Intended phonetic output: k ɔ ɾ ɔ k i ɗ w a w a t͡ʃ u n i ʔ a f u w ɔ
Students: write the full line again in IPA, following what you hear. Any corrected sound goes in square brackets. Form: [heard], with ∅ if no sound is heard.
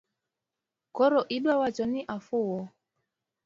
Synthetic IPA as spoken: k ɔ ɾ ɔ [ʔ] i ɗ w a w a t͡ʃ [ɔ] n i ʔ a f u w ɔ